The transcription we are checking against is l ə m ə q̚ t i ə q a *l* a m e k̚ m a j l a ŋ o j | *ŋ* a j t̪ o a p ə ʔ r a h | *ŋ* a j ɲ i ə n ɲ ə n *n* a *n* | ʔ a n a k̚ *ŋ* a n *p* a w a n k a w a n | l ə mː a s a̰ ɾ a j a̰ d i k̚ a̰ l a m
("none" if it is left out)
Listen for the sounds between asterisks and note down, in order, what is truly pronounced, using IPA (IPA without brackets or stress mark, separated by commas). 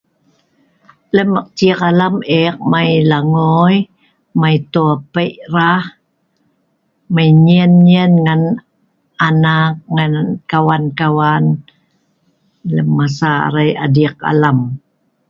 l, m, m, ŋ, n, ŋ, k